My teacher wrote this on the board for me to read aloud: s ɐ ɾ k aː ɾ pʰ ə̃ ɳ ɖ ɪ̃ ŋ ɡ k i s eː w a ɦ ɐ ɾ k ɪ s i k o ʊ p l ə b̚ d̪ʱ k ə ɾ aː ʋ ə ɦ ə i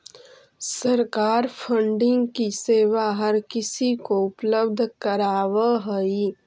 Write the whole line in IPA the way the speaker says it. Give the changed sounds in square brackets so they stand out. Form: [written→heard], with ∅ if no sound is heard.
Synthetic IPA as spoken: s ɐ ɾ k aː ɾ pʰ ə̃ ɳ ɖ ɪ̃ ŋ ɡ k i s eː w a ɦ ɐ ɾ k ɪ s i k o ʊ p l ə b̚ d̪ʱ k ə ɾ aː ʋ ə ɦ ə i